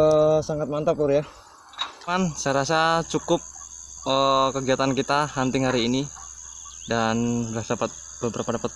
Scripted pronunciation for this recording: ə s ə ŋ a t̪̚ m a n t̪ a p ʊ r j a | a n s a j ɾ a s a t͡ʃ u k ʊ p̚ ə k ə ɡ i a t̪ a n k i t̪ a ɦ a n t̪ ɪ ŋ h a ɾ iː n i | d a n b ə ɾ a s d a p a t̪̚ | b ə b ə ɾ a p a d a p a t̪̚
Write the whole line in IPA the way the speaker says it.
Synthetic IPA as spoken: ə s a ŋ a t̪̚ m a n t̪ a p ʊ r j a | a n s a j ɾ a s a t͡ʃ u k ʊ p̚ ə k ə ɡ i a t̪ a n k i t̪ a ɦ a n t̪ ɪ ŋ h a ɾ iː n i | d a n b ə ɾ a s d a p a t̪̚ | b ə b ə ɾ a p a d a p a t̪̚